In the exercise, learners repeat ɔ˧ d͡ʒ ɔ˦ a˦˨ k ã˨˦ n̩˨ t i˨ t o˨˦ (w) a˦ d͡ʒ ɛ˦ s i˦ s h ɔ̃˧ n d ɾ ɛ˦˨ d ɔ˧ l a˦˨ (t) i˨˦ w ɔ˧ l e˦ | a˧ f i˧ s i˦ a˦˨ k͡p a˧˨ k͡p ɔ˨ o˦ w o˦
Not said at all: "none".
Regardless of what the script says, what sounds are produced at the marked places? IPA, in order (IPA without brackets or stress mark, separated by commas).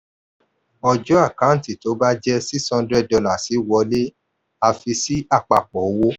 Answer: b, s